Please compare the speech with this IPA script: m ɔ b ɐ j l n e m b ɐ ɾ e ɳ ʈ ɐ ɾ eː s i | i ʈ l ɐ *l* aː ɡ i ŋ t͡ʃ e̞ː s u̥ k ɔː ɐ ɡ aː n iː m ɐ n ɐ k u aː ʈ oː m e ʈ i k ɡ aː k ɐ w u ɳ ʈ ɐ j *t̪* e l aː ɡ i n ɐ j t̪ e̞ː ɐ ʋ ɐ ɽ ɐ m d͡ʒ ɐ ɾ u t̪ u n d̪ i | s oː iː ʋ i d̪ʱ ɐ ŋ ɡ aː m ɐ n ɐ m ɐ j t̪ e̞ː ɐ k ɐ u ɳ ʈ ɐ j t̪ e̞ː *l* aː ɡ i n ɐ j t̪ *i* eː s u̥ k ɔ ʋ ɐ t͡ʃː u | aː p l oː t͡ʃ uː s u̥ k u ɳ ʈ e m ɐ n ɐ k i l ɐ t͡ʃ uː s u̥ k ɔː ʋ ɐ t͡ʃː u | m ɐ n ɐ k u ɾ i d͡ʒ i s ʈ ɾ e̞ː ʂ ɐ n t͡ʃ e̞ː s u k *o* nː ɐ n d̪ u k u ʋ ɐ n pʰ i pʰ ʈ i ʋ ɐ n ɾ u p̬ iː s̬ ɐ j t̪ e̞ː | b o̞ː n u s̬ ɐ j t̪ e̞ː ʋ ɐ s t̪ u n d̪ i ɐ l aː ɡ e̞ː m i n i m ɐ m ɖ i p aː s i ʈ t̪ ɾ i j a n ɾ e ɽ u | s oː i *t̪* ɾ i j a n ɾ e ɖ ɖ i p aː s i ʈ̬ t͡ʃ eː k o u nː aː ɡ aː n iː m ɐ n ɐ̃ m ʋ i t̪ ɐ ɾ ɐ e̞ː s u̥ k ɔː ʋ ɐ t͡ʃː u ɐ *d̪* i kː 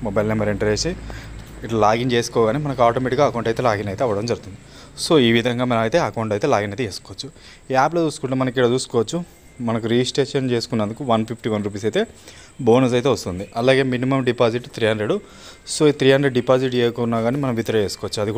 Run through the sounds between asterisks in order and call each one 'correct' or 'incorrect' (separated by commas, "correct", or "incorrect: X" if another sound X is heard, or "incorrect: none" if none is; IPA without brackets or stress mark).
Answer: correct, correct, correct, incorrect: e, incorrect: u, correct, correct